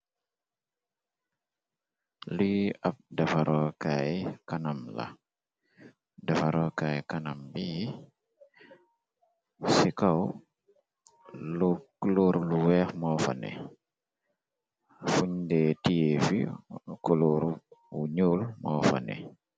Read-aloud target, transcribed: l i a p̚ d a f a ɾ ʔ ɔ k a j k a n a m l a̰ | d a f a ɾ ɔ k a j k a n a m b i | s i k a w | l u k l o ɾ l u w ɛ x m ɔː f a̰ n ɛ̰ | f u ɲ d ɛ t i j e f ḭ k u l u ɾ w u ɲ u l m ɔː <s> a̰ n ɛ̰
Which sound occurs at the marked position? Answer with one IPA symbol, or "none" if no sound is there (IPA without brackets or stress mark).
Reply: f